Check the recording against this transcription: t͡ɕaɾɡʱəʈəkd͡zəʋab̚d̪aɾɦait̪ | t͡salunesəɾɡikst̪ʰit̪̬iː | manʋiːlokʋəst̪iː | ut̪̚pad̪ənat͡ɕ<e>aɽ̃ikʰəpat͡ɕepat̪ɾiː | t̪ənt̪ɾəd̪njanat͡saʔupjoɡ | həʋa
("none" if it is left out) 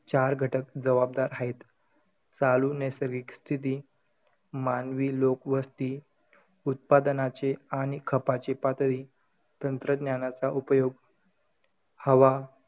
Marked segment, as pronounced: e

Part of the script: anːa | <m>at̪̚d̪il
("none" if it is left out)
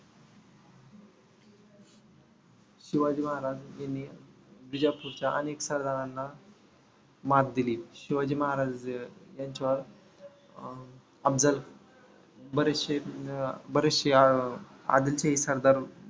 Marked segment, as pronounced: m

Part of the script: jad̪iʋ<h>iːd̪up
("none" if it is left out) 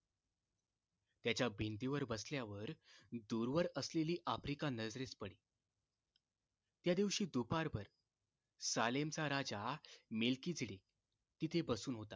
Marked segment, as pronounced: ɕ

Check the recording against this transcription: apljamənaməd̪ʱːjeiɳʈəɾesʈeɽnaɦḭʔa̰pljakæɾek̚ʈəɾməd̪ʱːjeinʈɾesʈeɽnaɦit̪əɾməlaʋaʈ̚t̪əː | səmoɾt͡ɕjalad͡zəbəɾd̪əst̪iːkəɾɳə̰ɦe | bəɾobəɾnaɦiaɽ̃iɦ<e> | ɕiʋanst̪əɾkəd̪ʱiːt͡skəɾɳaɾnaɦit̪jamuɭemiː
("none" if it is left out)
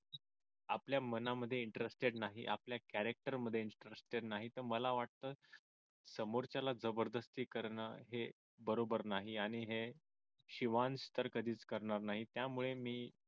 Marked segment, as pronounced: e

